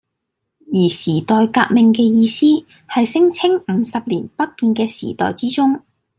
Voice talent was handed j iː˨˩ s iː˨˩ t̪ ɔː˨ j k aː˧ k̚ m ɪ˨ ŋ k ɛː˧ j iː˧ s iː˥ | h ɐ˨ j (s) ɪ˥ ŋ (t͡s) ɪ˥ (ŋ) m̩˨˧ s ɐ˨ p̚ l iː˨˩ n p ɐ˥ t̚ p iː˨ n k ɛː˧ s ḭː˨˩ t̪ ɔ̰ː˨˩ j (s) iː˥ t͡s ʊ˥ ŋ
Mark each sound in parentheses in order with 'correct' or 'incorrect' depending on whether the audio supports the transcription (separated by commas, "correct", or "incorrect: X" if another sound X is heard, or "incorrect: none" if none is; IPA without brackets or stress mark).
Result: correct, incorrect: t͡sʰ, correct, incorrect: t͡s